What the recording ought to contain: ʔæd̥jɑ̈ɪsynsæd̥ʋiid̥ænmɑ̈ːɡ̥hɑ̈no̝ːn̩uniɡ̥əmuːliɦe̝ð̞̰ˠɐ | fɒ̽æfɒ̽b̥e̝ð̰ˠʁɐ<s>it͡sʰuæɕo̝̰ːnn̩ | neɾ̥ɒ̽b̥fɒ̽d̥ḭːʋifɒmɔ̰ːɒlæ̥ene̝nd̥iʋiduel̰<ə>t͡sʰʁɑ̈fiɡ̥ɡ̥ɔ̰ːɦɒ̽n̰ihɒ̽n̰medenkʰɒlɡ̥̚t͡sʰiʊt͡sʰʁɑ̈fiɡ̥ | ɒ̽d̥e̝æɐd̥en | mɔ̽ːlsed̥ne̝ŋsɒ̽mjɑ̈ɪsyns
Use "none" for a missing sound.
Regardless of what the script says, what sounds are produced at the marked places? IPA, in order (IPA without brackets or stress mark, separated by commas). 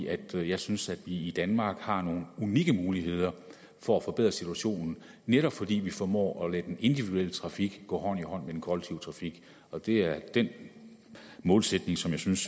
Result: s, ə